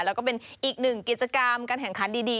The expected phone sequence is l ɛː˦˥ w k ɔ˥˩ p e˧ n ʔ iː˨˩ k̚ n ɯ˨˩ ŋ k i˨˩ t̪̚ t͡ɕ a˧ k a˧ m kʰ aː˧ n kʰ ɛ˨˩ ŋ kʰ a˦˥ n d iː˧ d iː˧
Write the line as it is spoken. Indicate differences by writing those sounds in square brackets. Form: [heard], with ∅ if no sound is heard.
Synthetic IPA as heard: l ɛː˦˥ w k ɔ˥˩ p e˧ n ʔ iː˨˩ k̚ n ɯ˨˩ ŋ k i˨˩ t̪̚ t͡ɕ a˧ k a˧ m [k] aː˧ n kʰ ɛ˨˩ ŋ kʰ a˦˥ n d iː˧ d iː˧